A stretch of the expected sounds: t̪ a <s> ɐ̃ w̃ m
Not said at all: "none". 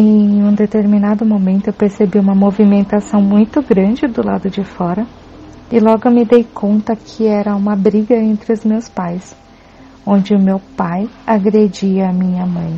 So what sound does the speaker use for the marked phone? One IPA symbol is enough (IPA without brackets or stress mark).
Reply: s